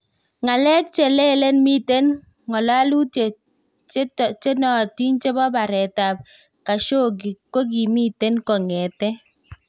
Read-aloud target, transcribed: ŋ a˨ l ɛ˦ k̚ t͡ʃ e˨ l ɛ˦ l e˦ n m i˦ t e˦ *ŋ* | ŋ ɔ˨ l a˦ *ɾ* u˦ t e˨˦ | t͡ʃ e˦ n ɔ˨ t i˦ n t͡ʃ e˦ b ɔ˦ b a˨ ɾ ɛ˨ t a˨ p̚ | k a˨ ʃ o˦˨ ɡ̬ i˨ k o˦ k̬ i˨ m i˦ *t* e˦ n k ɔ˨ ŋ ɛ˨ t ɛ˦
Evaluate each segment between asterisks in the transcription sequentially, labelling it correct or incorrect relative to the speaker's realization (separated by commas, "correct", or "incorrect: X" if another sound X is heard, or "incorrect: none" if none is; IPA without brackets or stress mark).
incorrect: n, incorrect: l, correct